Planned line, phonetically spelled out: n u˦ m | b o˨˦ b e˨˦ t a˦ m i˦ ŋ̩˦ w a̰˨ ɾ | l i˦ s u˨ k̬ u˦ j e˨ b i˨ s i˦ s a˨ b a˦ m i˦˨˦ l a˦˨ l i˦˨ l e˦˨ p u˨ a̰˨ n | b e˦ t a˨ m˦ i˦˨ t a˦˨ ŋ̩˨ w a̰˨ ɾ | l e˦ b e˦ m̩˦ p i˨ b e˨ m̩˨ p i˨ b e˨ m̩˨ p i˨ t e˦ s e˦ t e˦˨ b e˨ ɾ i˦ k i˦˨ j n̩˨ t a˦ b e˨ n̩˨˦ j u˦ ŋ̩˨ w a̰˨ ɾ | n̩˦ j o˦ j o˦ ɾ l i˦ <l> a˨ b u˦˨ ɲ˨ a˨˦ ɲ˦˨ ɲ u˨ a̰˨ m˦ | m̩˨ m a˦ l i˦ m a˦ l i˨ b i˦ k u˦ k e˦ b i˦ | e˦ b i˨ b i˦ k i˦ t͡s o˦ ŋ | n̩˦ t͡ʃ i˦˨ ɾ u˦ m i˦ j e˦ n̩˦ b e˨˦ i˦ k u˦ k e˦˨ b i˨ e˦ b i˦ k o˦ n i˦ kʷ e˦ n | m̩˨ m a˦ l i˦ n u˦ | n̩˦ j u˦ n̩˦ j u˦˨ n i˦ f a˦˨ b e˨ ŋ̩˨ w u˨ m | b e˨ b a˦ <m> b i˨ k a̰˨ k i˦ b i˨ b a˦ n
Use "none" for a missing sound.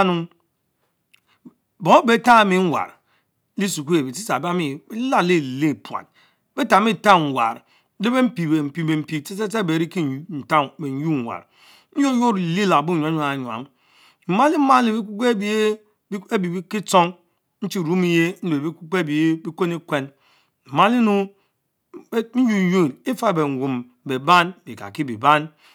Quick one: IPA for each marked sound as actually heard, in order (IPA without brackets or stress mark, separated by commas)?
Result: l, n